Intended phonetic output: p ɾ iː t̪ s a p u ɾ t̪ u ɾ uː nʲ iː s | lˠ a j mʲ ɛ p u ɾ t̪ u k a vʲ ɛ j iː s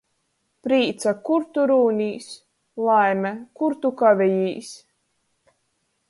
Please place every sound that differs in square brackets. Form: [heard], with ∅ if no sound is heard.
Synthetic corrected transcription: p ɾ iː t̪ s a [k] u ɾ t̪ u ɾ uː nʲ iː s | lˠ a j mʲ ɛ [k] u ɾ t̪ u k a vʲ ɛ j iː s